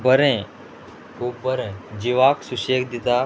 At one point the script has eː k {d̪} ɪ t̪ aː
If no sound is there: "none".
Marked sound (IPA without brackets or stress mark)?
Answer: d̪